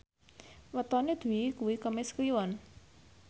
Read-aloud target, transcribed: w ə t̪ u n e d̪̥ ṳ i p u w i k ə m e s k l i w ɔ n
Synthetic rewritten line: w ə t̪ ɔ n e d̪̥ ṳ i k u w i k ə m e s k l i w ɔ n